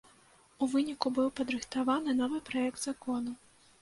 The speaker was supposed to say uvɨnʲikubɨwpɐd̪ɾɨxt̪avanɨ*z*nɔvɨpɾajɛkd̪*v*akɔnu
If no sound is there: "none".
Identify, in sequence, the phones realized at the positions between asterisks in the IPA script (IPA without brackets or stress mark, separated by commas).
none, z